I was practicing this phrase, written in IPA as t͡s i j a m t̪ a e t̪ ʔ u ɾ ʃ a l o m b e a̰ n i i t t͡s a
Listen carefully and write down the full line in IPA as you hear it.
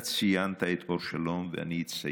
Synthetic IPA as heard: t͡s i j a n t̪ a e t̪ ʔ o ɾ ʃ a l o m v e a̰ n i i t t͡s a